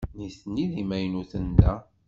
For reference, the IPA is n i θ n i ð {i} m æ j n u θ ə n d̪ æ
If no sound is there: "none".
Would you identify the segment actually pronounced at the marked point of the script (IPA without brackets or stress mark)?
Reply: i